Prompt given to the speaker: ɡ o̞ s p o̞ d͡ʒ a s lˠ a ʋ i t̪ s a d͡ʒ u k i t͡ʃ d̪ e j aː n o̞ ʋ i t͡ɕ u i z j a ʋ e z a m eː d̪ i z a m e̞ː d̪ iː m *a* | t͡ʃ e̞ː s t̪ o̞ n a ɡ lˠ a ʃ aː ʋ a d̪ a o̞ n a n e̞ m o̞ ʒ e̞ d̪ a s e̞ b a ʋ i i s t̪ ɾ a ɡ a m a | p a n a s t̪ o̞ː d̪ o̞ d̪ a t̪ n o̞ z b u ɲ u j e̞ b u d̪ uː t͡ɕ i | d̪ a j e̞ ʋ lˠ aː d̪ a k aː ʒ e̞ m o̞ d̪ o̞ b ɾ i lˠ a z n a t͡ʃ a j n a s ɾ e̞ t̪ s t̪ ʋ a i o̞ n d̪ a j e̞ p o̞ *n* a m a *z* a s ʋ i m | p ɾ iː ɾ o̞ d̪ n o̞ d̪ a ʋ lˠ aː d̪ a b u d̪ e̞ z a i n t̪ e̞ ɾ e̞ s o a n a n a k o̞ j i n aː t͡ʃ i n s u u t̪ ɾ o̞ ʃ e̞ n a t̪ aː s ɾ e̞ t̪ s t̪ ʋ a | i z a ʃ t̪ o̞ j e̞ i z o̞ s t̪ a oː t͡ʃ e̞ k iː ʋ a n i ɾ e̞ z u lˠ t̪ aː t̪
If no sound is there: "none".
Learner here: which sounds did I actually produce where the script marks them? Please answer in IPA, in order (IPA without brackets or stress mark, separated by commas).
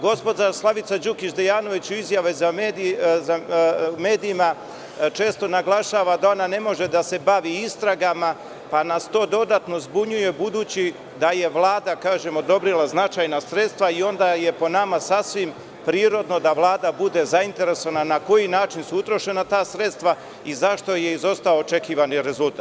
a, n, s